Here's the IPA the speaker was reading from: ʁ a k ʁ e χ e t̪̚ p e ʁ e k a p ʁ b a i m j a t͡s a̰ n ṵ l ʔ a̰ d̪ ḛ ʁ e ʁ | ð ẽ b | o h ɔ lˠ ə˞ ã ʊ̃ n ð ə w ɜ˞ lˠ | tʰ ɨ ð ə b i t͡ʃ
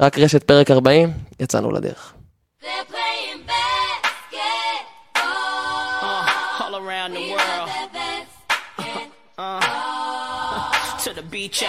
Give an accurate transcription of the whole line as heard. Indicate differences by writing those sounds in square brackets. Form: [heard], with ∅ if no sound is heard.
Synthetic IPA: ʁ a k ʁ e [ʃ] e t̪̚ p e ʁ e k a [∅] ʁ b a i m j a t͡s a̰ n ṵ l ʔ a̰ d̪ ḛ ʁ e [χ] | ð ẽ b | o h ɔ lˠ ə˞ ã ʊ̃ n ð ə w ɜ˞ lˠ | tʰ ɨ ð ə b i t͡ʃ